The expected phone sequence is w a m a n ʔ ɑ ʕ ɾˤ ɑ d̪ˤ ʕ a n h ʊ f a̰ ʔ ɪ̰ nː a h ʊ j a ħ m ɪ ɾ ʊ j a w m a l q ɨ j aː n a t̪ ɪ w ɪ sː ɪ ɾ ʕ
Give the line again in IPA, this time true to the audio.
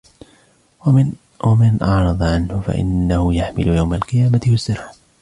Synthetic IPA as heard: w a m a n ʔ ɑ ʕ ɾˤ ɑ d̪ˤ ʕ a n h ʊ f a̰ ʔ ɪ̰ nː a h ʊ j a ħ m ɪ l ʊ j a w m a l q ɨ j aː m a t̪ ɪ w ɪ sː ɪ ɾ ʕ